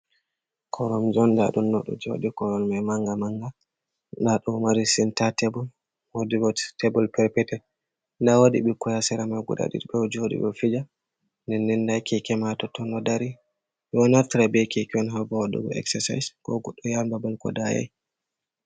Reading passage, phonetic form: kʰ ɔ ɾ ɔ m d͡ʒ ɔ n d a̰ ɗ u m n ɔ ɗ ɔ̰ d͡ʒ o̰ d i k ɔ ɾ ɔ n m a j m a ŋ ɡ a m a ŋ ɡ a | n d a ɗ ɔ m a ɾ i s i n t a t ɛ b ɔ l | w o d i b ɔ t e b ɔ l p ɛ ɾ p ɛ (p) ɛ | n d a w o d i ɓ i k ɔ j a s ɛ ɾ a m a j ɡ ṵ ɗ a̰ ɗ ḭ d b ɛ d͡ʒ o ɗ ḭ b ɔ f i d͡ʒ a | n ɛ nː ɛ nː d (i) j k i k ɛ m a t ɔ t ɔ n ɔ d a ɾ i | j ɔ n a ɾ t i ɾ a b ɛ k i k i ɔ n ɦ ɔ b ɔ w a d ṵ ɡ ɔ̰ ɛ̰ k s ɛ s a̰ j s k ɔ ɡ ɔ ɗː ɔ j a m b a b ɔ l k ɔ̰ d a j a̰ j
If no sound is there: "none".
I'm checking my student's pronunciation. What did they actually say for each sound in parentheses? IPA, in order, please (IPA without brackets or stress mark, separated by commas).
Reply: t, a